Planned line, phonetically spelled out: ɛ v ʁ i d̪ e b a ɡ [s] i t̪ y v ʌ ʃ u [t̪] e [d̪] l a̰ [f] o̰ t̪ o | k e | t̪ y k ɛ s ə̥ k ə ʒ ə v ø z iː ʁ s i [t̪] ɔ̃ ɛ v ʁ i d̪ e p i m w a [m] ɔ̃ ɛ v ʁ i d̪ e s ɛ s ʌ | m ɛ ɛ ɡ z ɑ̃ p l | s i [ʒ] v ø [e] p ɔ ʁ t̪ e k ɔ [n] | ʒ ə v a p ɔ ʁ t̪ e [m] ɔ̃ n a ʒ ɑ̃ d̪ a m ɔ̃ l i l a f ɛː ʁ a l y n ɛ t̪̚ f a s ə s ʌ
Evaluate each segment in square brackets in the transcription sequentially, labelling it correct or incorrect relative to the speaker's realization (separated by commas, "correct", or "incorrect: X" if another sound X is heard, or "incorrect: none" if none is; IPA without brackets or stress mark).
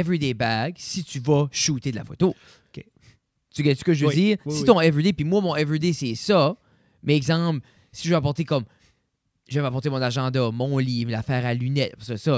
correct, correct, correct, correct, correct, correct, correct, incorrect: a, incorrect: m, correct